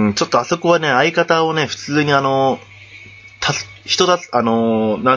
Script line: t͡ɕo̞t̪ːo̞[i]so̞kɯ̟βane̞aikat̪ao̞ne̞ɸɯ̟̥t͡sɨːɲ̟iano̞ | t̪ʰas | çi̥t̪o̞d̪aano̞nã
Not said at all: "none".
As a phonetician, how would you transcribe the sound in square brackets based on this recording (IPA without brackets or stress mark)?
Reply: a